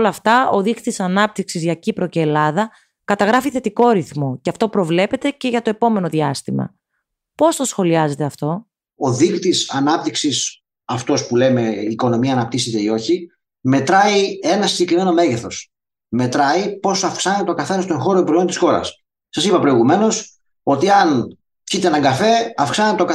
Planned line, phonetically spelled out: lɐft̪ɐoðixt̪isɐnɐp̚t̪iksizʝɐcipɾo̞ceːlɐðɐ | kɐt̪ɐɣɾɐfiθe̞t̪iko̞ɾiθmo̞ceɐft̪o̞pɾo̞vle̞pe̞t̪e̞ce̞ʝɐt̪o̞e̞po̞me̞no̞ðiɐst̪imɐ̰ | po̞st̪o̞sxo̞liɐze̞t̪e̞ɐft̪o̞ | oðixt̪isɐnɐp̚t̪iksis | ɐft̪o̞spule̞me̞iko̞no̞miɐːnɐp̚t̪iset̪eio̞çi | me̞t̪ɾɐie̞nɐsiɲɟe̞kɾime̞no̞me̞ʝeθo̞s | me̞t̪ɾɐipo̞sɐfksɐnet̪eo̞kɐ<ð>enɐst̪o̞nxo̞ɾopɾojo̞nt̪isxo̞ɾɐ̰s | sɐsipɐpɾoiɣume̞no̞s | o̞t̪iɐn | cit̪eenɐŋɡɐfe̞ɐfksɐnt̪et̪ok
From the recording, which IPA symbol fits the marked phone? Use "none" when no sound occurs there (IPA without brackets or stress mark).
θ